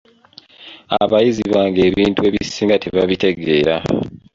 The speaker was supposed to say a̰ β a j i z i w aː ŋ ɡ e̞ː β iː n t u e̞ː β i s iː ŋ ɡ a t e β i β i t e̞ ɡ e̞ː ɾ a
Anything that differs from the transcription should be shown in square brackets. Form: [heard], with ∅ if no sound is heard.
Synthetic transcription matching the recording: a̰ β a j i z i [β] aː ŋ ɡ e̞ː β iː n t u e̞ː β i s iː ŋ ɡ a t e β [a] β i t e̞ ɡ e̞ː ɾ a